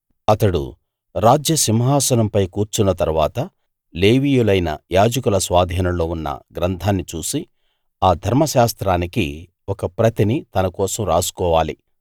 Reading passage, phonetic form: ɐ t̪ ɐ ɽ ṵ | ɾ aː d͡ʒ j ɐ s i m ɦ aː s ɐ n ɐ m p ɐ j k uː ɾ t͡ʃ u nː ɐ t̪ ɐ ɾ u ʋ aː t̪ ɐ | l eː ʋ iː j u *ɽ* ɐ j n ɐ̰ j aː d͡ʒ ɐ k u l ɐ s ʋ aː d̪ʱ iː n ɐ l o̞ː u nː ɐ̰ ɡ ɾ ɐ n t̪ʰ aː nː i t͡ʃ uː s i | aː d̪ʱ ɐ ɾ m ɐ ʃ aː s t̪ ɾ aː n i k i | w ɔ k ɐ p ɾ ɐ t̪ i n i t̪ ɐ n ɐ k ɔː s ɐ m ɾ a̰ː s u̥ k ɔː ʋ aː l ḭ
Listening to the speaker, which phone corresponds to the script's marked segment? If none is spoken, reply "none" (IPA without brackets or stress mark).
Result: l